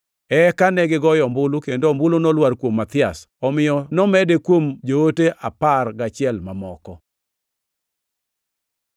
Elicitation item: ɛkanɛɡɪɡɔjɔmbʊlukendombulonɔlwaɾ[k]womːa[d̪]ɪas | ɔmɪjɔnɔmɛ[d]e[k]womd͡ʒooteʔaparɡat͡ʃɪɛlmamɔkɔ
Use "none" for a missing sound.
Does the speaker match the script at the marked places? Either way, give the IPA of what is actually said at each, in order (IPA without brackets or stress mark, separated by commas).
k, t̪, d, k